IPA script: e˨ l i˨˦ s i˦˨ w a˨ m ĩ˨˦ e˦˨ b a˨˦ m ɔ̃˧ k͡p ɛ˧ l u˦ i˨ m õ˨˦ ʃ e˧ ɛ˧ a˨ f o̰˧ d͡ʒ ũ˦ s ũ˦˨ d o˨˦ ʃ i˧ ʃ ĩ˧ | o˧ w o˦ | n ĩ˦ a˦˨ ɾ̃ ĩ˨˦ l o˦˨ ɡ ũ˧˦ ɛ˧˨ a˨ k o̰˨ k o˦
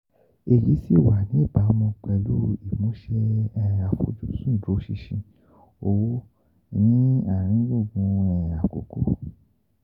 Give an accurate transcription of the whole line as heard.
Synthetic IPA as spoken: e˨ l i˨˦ s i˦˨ w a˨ n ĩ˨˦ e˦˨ b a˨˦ m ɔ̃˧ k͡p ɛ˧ l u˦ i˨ m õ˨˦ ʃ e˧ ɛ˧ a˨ f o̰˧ d͡ʒ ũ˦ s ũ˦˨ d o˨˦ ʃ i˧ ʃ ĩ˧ | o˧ w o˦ | n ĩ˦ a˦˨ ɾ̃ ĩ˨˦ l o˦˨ ɡ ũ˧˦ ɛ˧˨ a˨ k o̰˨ k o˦